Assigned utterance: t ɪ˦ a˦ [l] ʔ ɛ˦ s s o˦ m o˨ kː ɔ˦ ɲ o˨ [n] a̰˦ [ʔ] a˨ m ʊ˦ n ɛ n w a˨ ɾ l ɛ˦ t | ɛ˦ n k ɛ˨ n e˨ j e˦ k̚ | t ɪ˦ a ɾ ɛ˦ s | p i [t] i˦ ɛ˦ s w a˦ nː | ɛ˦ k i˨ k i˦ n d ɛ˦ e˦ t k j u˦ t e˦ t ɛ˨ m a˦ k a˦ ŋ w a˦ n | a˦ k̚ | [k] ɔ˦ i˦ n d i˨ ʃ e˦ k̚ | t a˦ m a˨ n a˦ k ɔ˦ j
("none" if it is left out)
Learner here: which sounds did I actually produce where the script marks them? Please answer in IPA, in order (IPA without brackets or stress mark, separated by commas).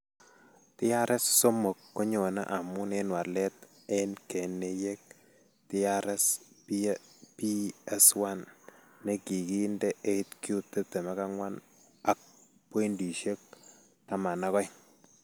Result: ɾ, n, ʔ, p, p